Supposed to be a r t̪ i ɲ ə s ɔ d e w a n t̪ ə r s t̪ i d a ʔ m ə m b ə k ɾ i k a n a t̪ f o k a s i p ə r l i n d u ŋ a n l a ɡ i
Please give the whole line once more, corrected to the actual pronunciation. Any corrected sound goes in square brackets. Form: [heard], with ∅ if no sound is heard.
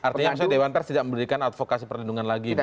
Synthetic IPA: a r t̪ i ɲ [a] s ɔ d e w a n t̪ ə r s t̪ i d a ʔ m ə m b ə [∅] ɾ i k a n a t̪ f o k a s i p ə r l i n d u ŋ a n l a ɡ i